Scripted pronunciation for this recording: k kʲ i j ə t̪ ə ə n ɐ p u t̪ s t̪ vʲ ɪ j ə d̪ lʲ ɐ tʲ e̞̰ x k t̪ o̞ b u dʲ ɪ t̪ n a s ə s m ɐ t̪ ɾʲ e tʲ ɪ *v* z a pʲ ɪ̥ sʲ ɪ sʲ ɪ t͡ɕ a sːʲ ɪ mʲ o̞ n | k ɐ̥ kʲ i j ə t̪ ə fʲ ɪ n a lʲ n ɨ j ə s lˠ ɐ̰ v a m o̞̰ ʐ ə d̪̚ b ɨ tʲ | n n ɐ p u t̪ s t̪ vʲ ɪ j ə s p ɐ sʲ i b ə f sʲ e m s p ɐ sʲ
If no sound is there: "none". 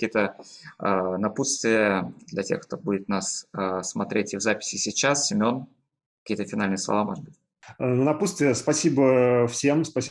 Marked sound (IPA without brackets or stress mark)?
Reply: v